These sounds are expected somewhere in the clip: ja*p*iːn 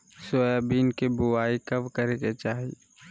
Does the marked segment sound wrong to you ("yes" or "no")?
yes